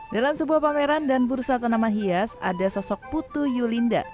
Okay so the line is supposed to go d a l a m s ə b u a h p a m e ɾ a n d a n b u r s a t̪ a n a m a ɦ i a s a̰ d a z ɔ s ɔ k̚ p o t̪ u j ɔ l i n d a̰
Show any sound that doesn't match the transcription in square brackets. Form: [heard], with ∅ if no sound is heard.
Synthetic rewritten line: d a l a m s ə b u a h p a m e ɾ a n d a n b u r s a t̪ a n a m a ɦ i a s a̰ d a [s] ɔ s ɔ k̚ p [u] t̪ u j [u] l i n d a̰